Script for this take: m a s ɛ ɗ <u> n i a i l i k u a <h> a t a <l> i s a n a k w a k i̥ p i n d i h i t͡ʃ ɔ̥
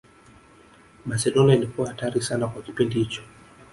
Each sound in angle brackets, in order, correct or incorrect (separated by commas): incorrect, correct, incorrect